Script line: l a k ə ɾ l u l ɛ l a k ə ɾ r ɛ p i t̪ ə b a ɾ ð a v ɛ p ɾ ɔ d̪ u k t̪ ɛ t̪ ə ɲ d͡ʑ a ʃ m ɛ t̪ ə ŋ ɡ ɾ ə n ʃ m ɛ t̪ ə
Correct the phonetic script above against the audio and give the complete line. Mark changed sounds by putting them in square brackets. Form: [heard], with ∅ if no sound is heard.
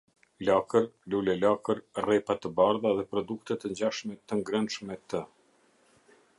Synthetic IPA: l a k ə ɾ l u l ɛ l a k ə ɾ r ɛ p [a] t̪ ə b a ɾ ð a [ð] ɛ p ɾ ɔ d̪ u k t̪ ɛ t̪ ə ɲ d͡ʑ a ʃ m ɛ t̪ ə ŋ ɡ ɾ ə n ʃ m ɛ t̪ ə